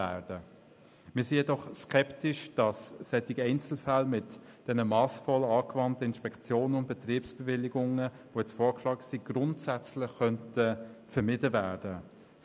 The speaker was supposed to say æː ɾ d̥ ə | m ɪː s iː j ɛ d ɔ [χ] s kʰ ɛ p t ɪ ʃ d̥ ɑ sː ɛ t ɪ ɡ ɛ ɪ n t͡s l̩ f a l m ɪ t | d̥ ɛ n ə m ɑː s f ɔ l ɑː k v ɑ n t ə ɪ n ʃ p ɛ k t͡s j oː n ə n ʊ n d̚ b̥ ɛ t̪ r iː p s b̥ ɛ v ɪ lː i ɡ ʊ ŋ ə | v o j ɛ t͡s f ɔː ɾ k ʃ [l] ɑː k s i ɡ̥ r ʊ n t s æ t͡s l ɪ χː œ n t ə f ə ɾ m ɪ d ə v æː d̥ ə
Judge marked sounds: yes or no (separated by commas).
yes, yes